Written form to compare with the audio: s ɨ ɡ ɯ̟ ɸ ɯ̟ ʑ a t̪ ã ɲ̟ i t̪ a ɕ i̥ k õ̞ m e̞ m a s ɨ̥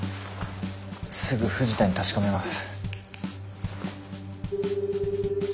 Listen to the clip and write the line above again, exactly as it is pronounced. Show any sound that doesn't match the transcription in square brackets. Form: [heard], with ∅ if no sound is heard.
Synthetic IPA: s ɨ ɡ ɯ̟ ɸ ɯ̟ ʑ [i] t̪ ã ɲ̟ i t̪ a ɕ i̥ k [o̞] m e̞ m a s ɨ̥